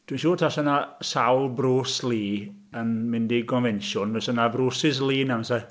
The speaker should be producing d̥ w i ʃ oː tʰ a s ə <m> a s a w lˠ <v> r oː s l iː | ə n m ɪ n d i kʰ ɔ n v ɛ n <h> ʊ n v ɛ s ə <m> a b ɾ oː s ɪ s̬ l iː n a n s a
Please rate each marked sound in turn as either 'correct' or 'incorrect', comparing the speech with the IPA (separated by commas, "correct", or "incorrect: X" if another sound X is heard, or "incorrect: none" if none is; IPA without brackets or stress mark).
incorrect: n, incorrect: b, incorrect: ʃ, incorrect: n